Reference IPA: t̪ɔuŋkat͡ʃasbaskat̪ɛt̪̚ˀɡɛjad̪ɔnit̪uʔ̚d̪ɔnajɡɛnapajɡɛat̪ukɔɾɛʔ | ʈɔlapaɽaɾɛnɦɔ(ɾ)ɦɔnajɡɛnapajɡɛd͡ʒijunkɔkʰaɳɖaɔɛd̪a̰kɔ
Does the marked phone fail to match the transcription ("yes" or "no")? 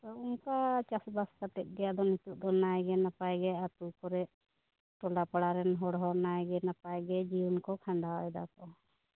yes